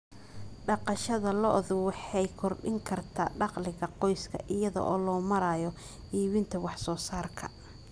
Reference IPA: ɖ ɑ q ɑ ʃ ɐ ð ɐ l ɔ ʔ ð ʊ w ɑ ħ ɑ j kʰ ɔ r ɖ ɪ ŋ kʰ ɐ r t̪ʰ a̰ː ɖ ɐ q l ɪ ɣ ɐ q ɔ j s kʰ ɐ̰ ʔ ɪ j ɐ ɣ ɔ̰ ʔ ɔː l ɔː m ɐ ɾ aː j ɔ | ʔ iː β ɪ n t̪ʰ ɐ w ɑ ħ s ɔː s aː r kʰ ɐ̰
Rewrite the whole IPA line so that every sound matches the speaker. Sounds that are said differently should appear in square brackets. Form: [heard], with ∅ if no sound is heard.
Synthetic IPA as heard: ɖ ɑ q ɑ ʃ ɐ ð ɐ l ɔ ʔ ð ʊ w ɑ ħ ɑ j kʰ ɔ r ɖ ɪ ŋ kʰ ɐ r t̪ʰ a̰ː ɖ [ɑ] q l ɪ ɣ ɐ q ɔ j s kʰ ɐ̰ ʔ ɪ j ɐ [ð] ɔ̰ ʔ ɔː l ɔː m ɐ ɾ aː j ɔ | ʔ iː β ɪ n t̪ʰ ɐ w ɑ ħ s ɔː s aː r kʰ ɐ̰

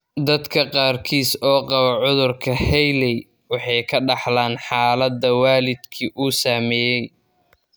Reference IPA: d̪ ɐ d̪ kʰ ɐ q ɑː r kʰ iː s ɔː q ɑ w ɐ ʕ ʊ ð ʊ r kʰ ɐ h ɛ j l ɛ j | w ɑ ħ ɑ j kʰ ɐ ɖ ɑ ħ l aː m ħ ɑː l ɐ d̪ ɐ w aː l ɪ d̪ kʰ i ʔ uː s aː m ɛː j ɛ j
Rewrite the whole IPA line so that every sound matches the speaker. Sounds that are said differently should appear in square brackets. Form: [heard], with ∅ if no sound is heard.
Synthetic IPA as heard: d̪ ɐ d̪ kʰ ɐ q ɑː r kʰ iː s ɔː q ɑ [β] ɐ ʕ ʊ ð ʊ r kʰ ɐ h ɛ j l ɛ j | w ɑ ħ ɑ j kʰ ɐ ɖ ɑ ħ l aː [n] ħ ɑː l ɐ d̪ ɐ w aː l ɪ d̪ kʰ i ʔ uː s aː m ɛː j ɛ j

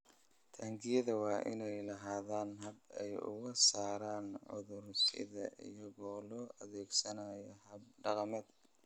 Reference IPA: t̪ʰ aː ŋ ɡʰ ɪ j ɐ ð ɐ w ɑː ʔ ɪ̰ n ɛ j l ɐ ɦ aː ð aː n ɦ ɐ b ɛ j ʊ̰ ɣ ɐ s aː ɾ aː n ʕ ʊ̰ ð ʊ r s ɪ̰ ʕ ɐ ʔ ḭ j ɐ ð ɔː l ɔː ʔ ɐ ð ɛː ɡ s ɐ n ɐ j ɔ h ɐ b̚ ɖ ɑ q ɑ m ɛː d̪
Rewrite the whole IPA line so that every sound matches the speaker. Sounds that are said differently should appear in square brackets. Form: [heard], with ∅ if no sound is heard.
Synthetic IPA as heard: t̪ʰ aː ŋ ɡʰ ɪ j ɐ ð ɐ w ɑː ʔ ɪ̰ n ɛ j l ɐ ɦ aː ð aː n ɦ ɐ b ɛ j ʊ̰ ɣ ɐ s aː ɾ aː n ʕ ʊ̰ ð ʊ r s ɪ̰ [ð] ɐ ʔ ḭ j ɐ [ɣ] ɔː l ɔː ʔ ɐ ð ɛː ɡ s ɐ n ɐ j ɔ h ɐ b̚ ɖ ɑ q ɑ m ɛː d̪

